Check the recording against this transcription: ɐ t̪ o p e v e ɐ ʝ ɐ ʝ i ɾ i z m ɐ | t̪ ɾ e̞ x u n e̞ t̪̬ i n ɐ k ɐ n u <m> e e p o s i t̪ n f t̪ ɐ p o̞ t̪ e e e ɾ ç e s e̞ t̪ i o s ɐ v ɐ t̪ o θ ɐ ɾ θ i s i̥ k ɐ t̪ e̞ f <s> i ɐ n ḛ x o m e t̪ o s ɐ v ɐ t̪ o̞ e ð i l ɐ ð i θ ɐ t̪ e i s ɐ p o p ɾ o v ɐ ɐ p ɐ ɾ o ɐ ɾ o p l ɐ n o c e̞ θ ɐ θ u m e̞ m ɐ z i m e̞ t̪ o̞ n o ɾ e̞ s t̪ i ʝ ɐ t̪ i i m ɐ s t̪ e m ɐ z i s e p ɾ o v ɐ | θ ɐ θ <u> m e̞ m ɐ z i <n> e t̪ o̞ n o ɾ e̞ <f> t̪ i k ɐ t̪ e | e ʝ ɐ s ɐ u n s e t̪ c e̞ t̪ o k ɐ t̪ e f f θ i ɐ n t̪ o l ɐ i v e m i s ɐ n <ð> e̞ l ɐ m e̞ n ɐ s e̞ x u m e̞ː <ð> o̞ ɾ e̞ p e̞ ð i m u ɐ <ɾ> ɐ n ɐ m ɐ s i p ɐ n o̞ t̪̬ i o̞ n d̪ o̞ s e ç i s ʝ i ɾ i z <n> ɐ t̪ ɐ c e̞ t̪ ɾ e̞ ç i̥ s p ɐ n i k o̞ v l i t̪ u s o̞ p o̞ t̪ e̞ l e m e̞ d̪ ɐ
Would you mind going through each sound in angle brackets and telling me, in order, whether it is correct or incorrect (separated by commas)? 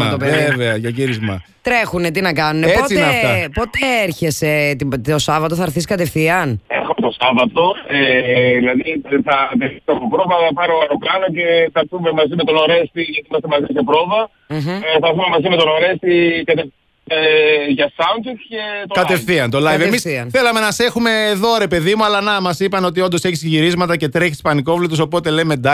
incorrect, incorrect, correct, incorrect, incorrect, incorrect, correct, incorrect, incorrect